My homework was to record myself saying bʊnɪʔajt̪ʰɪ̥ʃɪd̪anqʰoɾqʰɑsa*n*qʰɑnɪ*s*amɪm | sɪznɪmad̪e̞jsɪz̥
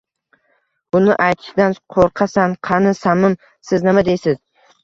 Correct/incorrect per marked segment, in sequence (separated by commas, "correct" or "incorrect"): correct, correct